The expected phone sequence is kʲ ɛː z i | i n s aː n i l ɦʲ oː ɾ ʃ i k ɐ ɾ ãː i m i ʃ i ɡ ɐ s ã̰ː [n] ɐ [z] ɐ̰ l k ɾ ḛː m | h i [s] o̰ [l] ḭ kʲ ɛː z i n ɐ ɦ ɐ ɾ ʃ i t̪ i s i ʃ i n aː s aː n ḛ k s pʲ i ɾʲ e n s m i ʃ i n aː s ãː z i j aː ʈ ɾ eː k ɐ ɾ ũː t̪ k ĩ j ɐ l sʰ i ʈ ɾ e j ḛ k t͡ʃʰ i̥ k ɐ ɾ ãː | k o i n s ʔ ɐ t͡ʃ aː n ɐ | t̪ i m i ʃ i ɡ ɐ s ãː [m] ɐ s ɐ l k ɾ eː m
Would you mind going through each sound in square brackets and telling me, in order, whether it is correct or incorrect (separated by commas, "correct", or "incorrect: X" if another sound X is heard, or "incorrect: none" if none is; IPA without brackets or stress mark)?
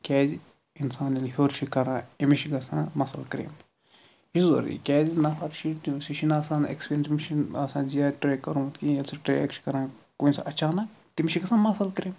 incorrect: m, incorrect: s, incorrect: z, incorrect: ɾ, correct